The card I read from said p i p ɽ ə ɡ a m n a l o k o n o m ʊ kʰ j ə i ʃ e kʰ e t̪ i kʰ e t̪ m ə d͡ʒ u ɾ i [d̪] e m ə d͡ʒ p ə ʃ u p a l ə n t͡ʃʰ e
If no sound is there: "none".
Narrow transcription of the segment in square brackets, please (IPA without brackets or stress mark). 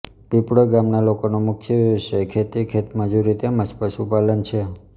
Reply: t̪